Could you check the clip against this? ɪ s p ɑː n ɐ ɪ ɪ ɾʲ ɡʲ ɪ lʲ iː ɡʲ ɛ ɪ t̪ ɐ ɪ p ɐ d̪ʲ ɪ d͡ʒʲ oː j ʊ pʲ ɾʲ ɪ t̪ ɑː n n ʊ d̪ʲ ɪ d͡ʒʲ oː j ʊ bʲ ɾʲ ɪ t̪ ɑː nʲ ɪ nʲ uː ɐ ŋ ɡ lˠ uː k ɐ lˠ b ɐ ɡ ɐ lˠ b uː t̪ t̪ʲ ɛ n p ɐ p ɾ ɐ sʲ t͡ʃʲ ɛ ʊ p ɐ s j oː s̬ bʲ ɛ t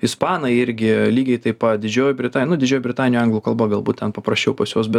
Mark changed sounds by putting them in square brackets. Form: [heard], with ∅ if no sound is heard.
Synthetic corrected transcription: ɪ s p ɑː n ɐ ɪ ɪ ɾʲ ɡʲ ɪ lʲ iː ɡʲ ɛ ɪ t̪ ɐ ɪ p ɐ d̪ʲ ɪ d͡ʒʲ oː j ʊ [bʲ] ɾʲ ɪ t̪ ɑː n n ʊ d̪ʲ ɪ d͡ʒʲ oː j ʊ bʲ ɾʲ ɪ t̪ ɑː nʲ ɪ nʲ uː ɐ ŋ ɡ lˠ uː k ɐ lˠ b ɐ ɡ ɐ lˠ b uː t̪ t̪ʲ ɛ n p ɐ p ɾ ɐ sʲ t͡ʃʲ ɛ ʊ p ɐ s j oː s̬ bʲ ɛ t

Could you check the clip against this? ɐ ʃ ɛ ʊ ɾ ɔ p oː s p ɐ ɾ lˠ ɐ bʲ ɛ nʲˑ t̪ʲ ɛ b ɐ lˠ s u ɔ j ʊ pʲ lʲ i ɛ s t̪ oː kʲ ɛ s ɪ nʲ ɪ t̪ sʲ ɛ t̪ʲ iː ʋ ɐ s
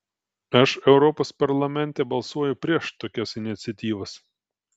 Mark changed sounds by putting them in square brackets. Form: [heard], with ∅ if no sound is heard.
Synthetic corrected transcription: ɐ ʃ ɛ ʊ ɾ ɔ p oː s p ɐ ɾ lˠ ɐ [mʲ] ɛ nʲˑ t̪ʲ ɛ b ɐ lˠ s u ɔ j ʊ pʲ [ɾʲ] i ɛ [ʃ] t̪ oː kʲ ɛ s ɪ nʲ ɪ t̪ sʲ ɛ t̪ʲ iː ʋ ɐ s

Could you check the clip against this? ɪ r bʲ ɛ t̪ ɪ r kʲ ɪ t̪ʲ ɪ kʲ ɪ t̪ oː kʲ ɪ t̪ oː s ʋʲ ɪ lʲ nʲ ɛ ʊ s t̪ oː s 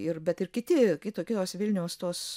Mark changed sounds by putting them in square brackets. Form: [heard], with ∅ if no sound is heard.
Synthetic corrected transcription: ɪ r bʲ ɛ t̪ ɪ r kʲ ɪ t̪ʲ ɪ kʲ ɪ t̪ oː kʲ ɪ t̪ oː s ʋʲ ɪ lʲ nʲ ɛ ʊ s t̪ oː s

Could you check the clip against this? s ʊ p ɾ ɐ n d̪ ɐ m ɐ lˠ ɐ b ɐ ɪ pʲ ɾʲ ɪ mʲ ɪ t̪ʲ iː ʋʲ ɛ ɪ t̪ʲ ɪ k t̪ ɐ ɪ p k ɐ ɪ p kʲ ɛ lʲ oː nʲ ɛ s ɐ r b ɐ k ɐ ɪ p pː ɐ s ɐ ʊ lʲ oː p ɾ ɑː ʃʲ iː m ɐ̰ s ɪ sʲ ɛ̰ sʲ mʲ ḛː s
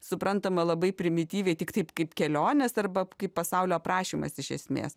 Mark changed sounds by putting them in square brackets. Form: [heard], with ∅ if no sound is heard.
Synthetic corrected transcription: s ʊ p ɾ ɐ n [t̪] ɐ m ɐ lˠ ɐ b ɐ ɪ pʲ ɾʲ ɪ mʲ ɪ t̪ʲ iː ʋʲ ɛ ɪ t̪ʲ ɪ k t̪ ɐ ɪ p k ɐ ɪ p kʲ ɛ lʲ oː nʲ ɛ s ɐ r b ɐ k ɐ ɪ p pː ɐ s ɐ ʊ lʲ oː p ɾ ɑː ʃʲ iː m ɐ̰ s ɪ [ʃʲ] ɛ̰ sʲ mʲ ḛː s

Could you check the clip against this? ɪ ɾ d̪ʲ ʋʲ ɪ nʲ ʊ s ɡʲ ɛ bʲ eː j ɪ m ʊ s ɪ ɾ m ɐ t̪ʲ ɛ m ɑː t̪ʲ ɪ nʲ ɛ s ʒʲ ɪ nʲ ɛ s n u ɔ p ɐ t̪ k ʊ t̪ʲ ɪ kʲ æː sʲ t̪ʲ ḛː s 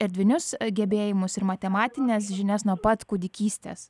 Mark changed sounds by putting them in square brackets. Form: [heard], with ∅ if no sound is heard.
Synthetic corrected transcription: ɪ ɾ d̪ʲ ʋʲ ɪ nʲ ʊ s ɡʲ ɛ bʲ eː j ɪ m ʊ s ɪ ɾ m ɐ t̪ʲ ɛ m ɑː t̪ʲ ɪ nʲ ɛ s ʒʲ ɪ nʲ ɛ s n u ɔ p ɐ t̪ k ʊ [d̪ʲ] ɪ kʲ [iː] sʲ t̪ʲ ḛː s

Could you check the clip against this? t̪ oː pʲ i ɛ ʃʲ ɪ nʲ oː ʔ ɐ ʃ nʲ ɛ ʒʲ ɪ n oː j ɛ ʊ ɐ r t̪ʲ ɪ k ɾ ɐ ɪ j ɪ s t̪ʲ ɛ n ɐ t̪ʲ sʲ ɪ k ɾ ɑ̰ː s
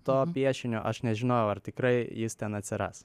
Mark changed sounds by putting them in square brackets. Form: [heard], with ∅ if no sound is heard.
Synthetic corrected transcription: t̪ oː pʲ i ɛ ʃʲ ɪ nʲ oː ʔ ɐ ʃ nʲ ɛ ʒʲ ɪ n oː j ɛ ʊ ɐ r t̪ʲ ɪ k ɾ ɐ ɪ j ɪ s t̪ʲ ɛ n ɐ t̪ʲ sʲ ɪ [∅] ɾ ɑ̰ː s

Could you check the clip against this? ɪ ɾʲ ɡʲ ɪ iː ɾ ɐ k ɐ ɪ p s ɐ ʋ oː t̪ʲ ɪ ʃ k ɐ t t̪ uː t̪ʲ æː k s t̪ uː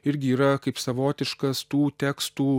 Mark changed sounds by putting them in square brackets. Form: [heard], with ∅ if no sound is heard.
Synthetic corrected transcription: ɪ ɾʲ ɡʲ ɪ iː ɾ ɐ k ɐ ɪ p s ɐ ʋ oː t̪ʲ ɪ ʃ k ɐ [s] t̪ uː t̪ʲ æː k s t̪ uː

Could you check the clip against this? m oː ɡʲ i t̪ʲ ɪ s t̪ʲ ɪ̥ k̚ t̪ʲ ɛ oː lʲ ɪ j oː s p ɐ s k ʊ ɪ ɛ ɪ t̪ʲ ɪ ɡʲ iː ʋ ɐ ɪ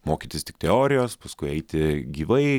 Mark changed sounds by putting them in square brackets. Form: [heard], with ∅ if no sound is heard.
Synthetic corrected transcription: m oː [kʲ] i t̪ʲ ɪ s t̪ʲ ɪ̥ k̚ t̪ʲ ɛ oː [ɾʲ] ɪ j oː s p ɐ s k ʊ ɪ ɛ ɪ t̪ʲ ɪ ɡʲ iː ʋ ɐ ɪ

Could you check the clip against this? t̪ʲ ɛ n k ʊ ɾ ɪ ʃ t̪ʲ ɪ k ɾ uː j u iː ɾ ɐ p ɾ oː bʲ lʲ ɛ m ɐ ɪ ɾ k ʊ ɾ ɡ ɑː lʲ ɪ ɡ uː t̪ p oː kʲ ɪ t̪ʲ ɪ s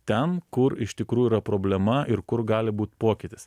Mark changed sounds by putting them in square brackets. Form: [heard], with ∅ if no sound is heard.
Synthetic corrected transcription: t̪ʲ ɛ n k ʊ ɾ ɪ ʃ t̪ʲ ɪ k ɾ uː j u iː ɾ ɐ p ɾ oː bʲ lʲ ɛ m ɐ ɪ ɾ k ʊ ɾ ɡ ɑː lʲ ɪ [b] uː t̪ p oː kʲ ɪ t̪ʲ ɪ s

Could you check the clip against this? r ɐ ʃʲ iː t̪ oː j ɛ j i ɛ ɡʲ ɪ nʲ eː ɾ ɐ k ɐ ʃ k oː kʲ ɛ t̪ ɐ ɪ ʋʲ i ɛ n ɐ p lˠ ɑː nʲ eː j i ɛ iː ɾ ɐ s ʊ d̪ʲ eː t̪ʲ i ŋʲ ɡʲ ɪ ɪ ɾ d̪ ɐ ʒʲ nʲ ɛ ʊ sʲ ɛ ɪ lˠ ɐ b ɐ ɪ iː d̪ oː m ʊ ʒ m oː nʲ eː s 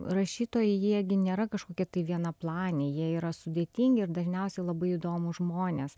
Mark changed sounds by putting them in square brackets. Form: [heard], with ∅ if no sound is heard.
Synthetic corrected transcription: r ɐ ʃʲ iː t̪ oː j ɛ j i ɛ ɡʲ ɪ nʲ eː ɾ ɐ k ɐ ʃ k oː kʲ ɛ t̪ ɐ ɪ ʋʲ i ɛ n ɐ p lˠ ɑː nʲ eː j i ɛ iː ɾ ɐ s ʊ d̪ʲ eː t̪ʲ i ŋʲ ɡʲ ɪ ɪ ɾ d̪ ɐ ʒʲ nʲ ɛ ʊ sʲ ɛ ɪ lˠ ɐ b ɐ ɪ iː d̪ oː m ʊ ʒ m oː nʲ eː s

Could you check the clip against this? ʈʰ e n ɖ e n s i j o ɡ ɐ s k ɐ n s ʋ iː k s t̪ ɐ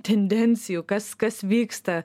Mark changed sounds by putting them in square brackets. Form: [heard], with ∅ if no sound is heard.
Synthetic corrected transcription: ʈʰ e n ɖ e n s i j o [k] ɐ s k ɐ [∅] s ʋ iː k s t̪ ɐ

